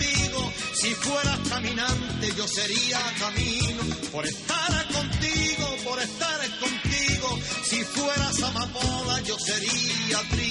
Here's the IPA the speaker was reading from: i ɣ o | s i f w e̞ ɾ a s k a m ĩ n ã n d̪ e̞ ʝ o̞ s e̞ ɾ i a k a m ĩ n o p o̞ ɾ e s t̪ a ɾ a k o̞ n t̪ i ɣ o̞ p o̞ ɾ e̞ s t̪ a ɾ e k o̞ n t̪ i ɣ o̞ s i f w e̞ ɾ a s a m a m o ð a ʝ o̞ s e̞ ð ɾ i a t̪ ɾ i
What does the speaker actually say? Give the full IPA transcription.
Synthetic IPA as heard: i ɣ o | s i f w e̞ ɾ a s k a m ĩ n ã n t̪ e̞ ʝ o̞ s e̞ ɾ i a k a m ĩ n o p o̞ ɾ e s t̪ a ɾ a k o̞ n t̪ i ɣ o̞ p o̞ ɾ e̞ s t̪ a ɾ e k o̞ n t̪ i ɣ o̞ s i f w e̞ ɾ a s a m a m o ð a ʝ o̞ s e̞ ɾ i a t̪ ɾ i